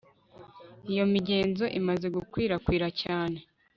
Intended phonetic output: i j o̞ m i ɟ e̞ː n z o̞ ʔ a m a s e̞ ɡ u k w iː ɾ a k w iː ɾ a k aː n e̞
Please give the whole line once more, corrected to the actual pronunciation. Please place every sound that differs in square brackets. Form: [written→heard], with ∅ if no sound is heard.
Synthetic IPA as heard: i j o̞ m i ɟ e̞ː n z o̞ ʔ [a→i] m a [s→z] e̞ ɡ u k w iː ɾ a k w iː ɾ a [k→c] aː n e̞